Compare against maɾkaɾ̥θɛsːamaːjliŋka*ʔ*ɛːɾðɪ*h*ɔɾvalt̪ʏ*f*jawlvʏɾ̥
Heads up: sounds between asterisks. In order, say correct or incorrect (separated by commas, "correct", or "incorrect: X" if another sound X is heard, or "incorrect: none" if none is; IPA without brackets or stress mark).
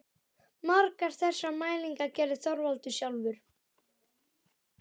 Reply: incorrect: c, incorrect: θ, incorrect: s